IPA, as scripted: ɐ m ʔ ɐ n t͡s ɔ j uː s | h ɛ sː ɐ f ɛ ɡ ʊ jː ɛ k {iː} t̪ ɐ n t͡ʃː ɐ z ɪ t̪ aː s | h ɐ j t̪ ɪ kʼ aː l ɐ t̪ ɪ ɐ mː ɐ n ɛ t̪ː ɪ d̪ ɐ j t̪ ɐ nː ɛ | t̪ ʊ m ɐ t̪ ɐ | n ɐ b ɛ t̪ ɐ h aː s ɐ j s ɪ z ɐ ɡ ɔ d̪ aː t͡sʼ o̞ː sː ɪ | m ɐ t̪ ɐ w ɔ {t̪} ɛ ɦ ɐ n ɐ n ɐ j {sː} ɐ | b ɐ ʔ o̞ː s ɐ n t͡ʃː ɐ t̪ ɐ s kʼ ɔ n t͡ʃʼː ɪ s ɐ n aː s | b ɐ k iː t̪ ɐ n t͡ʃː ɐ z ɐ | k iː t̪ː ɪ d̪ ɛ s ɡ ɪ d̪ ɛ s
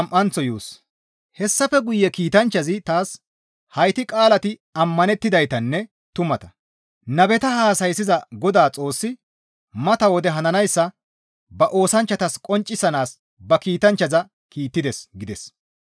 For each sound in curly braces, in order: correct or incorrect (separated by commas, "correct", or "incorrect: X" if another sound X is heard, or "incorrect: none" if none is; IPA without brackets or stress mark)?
correct, incorrect: d̪, correct